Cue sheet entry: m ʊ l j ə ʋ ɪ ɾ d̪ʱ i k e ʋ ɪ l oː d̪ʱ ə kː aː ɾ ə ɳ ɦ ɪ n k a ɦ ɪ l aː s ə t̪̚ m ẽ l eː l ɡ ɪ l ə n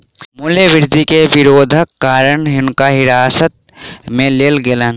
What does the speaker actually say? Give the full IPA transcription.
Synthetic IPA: m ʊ l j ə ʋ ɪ ɾ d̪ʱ i k e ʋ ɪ ɾ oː d̪ʱ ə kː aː ɾ ə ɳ ɦ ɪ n k a ɦ ɪ ɾ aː s ə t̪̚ m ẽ l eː l ɡ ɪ l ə n